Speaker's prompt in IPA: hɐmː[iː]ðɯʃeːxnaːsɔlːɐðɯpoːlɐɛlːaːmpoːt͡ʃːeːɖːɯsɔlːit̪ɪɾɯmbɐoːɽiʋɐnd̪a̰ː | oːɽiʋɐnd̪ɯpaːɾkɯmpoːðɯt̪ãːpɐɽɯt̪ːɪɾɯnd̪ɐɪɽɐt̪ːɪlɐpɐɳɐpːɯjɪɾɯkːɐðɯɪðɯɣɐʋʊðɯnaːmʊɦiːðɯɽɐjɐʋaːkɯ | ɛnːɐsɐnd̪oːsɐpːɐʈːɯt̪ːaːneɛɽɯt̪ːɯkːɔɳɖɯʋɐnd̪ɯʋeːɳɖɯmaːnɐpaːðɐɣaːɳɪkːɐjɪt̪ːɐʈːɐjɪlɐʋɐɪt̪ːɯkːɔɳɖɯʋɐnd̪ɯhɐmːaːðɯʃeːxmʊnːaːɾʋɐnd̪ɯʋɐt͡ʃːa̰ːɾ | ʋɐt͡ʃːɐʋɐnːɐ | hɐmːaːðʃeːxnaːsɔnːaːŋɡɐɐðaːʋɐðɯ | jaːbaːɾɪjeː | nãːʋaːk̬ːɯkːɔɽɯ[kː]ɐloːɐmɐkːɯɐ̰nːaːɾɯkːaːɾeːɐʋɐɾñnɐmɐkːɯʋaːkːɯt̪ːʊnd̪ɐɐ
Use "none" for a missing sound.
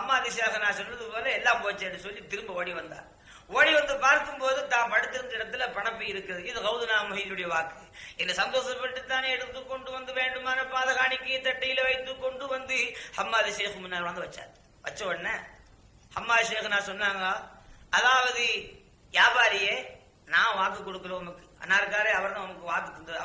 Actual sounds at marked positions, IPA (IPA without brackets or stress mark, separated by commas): aː, kː